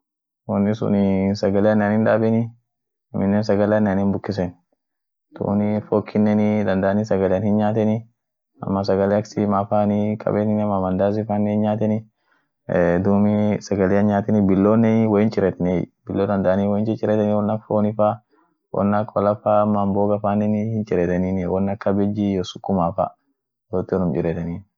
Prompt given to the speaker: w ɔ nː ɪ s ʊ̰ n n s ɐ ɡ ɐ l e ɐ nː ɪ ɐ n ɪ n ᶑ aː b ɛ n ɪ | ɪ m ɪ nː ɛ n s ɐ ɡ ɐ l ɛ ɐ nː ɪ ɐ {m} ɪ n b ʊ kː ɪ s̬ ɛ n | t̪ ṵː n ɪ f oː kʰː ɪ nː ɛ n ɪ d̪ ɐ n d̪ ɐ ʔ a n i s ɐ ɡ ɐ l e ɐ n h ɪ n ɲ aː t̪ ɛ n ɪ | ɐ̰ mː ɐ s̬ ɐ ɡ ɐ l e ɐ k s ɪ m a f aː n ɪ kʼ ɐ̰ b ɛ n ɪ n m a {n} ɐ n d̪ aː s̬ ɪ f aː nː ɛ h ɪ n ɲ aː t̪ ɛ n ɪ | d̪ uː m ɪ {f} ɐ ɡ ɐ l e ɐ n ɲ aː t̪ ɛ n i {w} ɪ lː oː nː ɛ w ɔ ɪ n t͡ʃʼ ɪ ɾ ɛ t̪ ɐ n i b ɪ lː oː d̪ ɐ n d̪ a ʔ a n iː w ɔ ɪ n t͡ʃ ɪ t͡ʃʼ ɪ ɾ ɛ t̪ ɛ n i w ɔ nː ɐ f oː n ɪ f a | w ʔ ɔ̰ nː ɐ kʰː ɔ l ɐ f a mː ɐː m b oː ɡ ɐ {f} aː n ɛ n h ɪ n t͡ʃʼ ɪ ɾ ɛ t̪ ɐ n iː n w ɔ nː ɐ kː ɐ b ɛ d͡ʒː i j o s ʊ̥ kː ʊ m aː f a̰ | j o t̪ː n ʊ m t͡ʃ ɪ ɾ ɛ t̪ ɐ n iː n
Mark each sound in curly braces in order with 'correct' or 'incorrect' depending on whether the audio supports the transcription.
incorrect, incorrect, incorrect, incorrect, correct

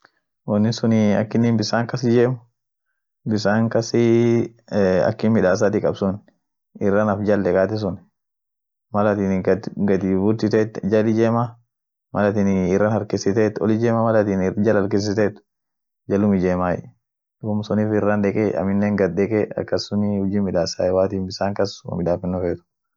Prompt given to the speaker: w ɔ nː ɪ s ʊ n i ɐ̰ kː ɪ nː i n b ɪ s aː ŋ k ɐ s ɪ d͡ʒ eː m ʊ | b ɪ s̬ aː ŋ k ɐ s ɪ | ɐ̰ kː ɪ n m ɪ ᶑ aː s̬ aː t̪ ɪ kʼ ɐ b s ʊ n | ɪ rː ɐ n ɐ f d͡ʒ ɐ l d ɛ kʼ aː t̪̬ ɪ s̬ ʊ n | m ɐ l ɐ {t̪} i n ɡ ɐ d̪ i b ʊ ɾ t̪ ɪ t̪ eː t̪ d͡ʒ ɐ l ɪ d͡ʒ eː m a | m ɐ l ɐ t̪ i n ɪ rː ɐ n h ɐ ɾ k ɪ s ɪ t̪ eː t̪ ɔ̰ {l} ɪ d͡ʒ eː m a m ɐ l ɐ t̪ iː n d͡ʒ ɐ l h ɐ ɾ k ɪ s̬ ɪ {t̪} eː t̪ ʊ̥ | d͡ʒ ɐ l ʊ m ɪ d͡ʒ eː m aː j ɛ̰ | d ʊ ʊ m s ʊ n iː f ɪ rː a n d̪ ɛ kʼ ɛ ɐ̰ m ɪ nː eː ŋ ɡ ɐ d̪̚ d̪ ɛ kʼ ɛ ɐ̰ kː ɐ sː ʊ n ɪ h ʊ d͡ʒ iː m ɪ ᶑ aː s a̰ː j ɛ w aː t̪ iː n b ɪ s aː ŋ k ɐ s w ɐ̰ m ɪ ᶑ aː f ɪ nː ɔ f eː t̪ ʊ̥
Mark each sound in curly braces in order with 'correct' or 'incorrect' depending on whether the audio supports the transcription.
correct, correct, correct

